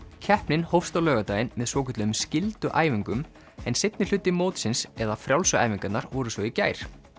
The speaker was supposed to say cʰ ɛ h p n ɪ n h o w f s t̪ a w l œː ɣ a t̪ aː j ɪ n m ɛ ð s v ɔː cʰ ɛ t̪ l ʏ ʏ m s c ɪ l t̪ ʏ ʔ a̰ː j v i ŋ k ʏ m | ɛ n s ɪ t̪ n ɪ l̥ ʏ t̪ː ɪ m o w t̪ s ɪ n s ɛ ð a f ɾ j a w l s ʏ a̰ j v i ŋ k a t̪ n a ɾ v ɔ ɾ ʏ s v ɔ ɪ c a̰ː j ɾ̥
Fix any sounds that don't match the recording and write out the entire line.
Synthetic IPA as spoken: cʰ ɛ h p n ɪ n h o w f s t̪ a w l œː ɣ a t̪ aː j ɪ n m ɛ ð s v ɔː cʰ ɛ t̪ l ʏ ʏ m s c ɪ l t̪ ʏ ʔ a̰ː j v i ŋ k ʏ m | ɛ n s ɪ t̪ n ɪ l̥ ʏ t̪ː ɪ m o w t̪ s ɪ n s ɛ ð a f ɾ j a w l s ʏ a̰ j v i ŋ k a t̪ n a ɾ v ɔ ɾ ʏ s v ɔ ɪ c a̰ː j ɾ̥